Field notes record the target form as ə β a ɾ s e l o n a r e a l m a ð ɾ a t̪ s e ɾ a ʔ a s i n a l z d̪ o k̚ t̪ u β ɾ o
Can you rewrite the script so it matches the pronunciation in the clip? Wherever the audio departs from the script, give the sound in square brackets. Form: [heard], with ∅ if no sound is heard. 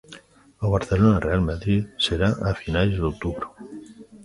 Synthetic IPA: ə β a ɾ [θ] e l o n a r e a l m a ð ɾ [i] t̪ s e ɾ a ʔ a [f] i n a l z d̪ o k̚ t̪ u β ɾ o